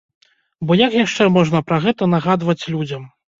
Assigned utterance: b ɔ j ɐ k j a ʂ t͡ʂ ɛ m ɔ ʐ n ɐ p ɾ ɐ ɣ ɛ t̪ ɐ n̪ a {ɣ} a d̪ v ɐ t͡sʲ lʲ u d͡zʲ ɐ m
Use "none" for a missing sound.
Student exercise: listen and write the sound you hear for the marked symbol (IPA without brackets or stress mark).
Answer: ɣ